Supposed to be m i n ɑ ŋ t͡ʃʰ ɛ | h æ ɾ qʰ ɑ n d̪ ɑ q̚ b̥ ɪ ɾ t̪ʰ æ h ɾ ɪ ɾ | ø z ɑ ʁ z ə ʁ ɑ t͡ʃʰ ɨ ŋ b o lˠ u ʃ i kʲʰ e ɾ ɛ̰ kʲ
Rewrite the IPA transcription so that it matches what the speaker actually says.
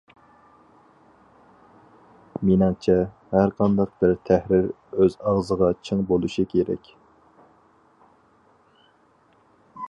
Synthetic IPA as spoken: m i n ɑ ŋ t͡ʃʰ ɛ | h æ ɾ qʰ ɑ n d̪ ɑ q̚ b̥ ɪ ɾ t̪ʰ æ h ɾ ɪ ɾ | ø z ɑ ʁ z ə ʁ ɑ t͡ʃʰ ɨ ŋ b o lˠ u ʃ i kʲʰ e ɾ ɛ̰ kʲ